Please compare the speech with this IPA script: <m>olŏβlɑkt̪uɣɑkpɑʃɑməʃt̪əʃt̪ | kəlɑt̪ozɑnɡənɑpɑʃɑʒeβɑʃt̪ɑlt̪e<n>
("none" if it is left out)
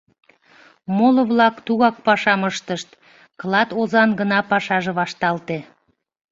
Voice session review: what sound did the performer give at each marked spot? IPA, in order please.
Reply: m, none

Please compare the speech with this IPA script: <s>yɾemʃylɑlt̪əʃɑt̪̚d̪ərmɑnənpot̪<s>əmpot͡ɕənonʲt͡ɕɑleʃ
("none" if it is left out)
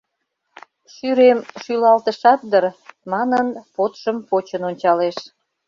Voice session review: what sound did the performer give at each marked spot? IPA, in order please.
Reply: ʃ, ʃ

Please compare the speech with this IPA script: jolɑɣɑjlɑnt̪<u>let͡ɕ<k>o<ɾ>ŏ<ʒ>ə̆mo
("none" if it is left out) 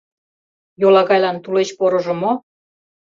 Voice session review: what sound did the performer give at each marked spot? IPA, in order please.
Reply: u, p, ɾ, ʒ

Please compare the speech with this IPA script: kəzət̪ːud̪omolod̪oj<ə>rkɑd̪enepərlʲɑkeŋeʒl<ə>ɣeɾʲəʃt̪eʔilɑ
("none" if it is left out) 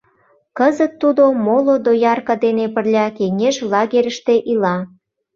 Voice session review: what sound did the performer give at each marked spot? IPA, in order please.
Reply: ɑ, ɑ

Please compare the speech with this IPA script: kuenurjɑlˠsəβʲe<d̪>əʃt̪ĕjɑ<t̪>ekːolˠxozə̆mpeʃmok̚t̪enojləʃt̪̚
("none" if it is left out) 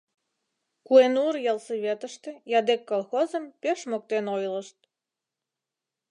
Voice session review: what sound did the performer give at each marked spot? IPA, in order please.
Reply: t̪, d̪

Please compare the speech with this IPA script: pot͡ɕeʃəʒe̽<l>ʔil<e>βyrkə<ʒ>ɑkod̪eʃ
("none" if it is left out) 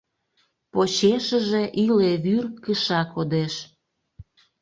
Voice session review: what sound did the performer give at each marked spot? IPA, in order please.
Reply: none, e, ʃ

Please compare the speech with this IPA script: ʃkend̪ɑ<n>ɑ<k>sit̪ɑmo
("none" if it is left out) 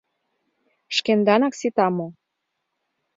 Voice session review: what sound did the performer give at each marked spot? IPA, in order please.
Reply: n, k

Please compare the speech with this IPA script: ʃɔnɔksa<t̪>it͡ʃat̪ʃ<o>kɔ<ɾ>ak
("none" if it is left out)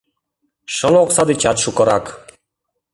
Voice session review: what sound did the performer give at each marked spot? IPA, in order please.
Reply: d̪, u, ɾ

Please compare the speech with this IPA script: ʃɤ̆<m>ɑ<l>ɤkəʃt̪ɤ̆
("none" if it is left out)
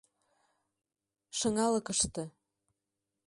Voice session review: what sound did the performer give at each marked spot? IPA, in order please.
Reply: ŋ, l

